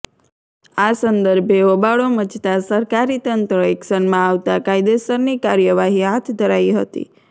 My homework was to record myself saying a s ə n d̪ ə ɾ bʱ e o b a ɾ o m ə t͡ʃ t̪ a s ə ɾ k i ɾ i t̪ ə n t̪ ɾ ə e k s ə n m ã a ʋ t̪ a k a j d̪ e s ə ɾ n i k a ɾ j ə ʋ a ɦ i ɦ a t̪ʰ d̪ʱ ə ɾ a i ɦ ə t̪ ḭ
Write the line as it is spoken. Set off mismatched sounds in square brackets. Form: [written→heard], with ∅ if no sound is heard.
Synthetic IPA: a s ə n d̪ ə ɾ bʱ e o b a [ɾ→ɭ] o m ə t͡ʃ t̪ a s ə ɾ k [i→a] ɾ i t̪ ə n t̪ ɾ ə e k s ə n m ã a ʋ t̪ a k a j d̪ e s ə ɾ n i k a ɾ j ə ʋ a ɦ i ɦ a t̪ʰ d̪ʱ ə ɾ a i ɦ ə t̪ ḭ

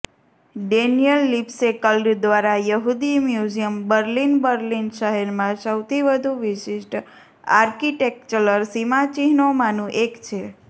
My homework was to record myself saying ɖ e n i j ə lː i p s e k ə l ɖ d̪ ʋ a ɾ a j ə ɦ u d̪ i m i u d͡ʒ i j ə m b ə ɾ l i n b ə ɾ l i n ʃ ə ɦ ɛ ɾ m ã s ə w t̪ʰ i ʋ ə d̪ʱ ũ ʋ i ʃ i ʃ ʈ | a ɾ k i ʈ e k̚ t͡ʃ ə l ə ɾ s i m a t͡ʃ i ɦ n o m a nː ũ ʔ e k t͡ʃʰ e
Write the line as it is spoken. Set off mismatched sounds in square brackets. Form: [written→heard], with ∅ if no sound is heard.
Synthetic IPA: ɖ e n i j ə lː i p s e k ə l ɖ d̪ ʋ a ɾ a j ə ɦ u d̪ i m [i→j] u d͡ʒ i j ə m b ə ɾ l i n b ə ɾ l i n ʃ ə ɦ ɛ ɾ m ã s ə w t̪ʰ i ʋ ə d̪ʱ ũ ʋ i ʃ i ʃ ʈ | a ɾ k i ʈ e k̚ t͡ʃ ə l ə ɾ s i m a t͡ʃ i ɦ n o m a [nː→n] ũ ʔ e k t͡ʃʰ e

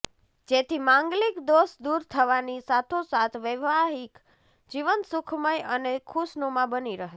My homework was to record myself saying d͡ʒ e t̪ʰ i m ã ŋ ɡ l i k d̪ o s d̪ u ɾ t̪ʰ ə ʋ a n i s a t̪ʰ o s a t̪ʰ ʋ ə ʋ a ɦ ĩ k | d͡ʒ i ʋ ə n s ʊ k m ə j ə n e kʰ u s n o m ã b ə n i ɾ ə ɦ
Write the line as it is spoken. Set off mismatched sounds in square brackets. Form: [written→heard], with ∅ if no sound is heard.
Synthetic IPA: d͡ʒ e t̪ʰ i m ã ŋ ɡ l i k d̪ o s d̪ u ɾ t̪ʰ ə ʋ a n i s a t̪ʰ o s a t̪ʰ ʋ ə ʋ a ɦ [ĩ→i] k | d͡ʒ i ʋ ə n s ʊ [k→kʰ] m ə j ə n e kʰ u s n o m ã b ə n i ɾ ə ɦ

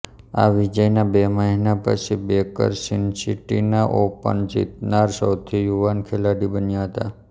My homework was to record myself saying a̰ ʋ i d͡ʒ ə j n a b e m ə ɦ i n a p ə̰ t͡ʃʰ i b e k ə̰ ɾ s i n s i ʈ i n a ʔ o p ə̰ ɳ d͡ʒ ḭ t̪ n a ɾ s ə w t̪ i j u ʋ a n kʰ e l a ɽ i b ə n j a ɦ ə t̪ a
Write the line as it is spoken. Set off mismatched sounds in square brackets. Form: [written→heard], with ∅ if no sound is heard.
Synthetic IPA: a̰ ʋ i d͡ʒ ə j n a b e m ə ɦ i n a p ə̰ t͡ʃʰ i b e k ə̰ ɾ s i n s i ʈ i n a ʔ o p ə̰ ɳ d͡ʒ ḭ t̪ n a ɾ s ə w [t̪→t̪ʰ] i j u ʋ a n kʰ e l a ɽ i b ə n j a ɦ ə t̪ a

